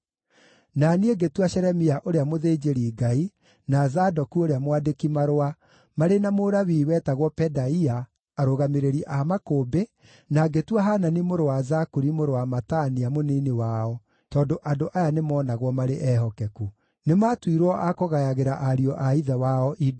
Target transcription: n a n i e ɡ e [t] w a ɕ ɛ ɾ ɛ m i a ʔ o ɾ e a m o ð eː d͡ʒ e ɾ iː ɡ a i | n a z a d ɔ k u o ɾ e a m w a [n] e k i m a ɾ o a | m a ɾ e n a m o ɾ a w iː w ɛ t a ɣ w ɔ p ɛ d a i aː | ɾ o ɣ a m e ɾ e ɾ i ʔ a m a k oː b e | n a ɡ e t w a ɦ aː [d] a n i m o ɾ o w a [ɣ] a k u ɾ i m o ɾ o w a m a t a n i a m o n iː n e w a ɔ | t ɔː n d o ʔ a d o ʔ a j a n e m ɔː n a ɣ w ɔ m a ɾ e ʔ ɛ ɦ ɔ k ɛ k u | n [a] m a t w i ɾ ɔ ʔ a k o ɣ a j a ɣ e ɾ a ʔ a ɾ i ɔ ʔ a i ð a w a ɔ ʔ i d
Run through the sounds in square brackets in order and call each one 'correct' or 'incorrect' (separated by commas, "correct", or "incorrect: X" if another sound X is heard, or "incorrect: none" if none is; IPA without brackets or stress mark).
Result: correct, incorrect: d, incorrect: n, incorrect: z, incorrect: e